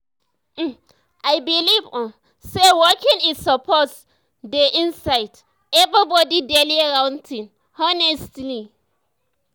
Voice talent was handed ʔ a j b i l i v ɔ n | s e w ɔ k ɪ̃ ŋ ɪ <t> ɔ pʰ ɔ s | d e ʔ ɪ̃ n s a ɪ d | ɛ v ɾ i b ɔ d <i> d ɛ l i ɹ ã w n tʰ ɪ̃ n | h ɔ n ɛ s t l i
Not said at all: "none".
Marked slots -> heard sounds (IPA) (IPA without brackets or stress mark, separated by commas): s, i